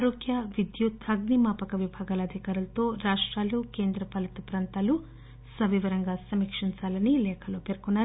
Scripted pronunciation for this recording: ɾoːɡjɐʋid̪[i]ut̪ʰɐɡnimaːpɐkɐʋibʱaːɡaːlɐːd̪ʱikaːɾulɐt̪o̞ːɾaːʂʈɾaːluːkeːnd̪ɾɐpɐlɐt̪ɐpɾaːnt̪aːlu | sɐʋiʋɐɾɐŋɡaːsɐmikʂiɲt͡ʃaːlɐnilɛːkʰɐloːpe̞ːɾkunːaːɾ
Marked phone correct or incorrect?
incorrect